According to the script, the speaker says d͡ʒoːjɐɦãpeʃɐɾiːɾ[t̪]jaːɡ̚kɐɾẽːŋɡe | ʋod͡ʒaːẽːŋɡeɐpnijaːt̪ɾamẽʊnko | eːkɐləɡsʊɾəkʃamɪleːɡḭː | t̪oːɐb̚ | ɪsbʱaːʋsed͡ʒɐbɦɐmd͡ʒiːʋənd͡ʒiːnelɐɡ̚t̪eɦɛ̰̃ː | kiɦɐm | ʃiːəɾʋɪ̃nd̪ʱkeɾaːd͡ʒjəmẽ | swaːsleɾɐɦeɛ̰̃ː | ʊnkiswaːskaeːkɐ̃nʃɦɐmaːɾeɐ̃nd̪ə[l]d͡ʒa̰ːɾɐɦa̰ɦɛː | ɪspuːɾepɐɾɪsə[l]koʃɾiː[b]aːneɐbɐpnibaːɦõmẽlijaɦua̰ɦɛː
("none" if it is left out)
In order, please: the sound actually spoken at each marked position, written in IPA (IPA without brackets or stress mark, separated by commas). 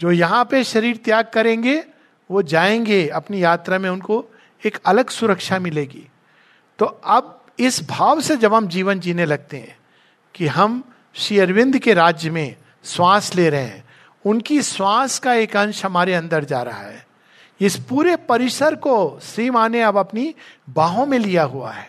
t̪, ɾ, ɾ, m